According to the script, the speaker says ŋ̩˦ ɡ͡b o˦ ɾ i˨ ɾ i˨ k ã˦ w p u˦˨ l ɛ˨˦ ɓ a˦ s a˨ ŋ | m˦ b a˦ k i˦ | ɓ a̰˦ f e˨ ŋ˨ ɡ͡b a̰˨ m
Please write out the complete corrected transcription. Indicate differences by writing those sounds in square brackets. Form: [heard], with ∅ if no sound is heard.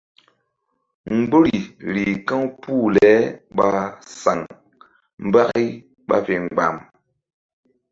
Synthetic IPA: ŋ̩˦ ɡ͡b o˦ ɾ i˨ ɾ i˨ k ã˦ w p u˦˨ l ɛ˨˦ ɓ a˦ s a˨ ŋ | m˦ b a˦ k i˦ | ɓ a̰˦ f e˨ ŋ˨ ɡ͡b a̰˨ m